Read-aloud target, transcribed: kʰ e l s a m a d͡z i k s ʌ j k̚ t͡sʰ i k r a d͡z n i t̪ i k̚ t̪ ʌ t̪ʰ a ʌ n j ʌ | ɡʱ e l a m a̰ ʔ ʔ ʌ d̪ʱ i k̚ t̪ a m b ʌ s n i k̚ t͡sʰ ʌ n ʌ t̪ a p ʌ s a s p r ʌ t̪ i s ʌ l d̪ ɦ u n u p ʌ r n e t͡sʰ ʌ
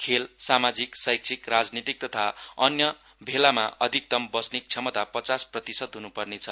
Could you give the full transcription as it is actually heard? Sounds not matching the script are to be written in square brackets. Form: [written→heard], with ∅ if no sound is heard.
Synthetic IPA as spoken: kʰ e l s a m a d͡z i k s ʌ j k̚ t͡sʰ i k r a d͡z n i t̪ i k̚ t̪ ʌ t̪ʰ a ʌ n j ʌ | [ɡʱ→bʱ] e l a m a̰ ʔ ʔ ʌ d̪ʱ i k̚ t̪ [a→ʌ] m b ʌ s n i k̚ t͡sʰ ʌ [n→m] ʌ t̪ a p ʌ [s→t͡s] a s p r ʌ t̪ i s ʌ [l→∅] d̪ ɦ u n u p ʌ r n e t͡sʰ ʌ